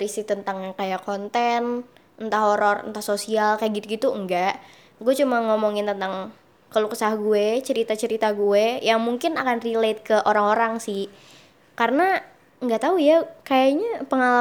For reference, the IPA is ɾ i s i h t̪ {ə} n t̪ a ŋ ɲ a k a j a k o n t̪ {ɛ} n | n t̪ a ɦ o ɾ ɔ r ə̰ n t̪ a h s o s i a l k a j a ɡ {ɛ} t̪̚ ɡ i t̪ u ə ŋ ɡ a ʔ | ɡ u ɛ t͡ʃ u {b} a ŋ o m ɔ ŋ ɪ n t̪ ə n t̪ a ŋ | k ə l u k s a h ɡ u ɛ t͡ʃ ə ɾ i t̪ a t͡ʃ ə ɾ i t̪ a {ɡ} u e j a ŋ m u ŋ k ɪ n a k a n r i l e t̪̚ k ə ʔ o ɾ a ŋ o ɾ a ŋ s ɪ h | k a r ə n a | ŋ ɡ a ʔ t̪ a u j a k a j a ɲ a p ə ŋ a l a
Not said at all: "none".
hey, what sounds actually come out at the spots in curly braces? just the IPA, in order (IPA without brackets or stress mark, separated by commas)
ə, ɛ, i, m, ɡ